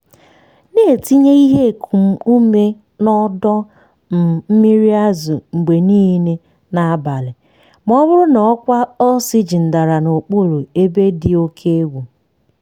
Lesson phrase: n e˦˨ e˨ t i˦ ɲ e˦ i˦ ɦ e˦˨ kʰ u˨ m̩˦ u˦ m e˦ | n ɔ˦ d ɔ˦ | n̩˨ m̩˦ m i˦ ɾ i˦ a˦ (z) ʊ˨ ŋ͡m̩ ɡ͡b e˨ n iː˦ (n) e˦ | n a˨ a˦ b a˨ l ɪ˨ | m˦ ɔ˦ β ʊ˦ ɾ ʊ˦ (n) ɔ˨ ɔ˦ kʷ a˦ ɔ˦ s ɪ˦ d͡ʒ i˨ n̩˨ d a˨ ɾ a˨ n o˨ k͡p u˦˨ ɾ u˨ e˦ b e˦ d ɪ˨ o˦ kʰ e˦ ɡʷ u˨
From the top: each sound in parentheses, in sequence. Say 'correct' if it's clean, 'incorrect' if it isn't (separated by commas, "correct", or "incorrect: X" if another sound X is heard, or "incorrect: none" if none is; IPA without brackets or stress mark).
correct, correct, correct